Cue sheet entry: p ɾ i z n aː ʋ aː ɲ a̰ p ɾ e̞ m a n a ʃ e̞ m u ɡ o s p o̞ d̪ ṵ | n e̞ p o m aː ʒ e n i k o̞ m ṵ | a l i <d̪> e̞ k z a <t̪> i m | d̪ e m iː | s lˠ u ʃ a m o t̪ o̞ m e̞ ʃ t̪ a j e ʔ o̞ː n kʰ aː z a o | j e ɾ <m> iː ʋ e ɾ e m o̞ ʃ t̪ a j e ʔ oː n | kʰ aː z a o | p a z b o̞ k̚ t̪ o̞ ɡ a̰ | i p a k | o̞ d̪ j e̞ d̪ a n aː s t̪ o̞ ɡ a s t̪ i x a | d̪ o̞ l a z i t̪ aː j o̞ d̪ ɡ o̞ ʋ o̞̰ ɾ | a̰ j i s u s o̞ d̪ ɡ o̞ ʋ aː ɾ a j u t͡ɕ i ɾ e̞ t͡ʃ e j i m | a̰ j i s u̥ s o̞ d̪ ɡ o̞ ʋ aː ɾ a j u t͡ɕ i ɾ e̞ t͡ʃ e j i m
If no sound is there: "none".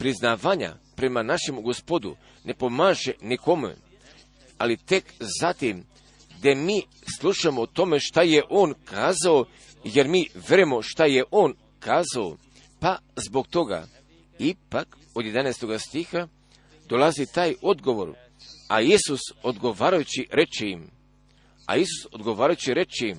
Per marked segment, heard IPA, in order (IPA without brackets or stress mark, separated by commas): t̪, t̪, m